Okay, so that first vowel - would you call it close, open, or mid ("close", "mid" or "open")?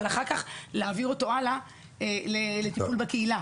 open